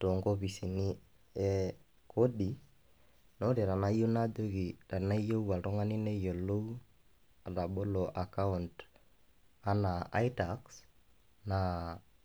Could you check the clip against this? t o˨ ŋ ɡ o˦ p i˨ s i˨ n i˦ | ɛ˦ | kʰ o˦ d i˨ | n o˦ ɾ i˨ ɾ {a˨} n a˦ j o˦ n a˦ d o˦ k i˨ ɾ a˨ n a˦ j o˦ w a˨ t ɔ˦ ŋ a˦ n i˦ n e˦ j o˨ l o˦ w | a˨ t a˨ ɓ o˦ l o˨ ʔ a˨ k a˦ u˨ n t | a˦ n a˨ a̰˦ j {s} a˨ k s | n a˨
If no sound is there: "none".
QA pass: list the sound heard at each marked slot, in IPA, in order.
a˨, t

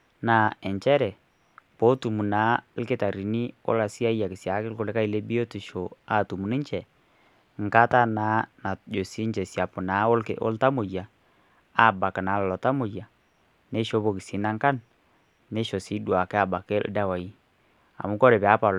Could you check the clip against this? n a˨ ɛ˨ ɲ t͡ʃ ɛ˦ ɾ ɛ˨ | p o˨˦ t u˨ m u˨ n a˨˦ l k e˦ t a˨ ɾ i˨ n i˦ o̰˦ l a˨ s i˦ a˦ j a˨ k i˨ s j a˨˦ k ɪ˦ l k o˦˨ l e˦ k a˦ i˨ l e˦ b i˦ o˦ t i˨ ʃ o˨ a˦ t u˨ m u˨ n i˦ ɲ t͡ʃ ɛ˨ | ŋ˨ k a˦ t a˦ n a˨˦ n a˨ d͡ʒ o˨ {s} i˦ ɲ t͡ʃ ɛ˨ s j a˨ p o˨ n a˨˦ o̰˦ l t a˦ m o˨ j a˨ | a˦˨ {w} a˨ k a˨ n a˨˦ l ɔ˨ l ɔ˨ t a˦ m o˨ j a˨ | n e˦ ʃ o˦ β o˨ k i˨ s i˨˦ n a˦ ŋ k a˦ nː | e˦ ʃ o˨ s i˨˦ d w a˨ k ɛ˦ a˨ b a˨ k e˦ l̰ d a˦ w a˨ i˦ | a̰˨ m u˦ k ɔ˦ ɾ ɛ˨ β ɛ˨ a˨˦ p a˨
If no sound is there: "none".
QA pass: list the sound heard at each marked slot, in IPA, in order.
s, b

